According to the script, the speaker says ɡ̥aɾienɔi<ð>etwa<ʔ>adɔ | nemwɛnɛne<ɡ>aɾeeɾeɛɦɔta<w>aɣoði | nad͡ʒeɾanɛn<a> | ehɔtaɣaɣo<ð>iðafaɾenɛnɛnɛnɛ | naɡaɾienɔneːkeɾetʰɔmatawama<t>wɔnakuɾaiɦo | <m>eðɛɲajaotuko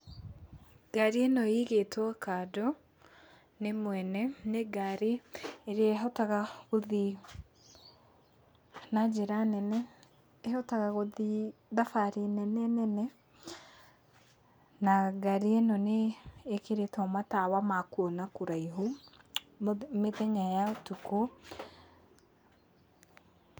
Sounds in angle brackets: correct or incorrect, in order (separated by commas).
incorrect, incorrect, correct, incorrect, incorrect, correct, incorrect, correct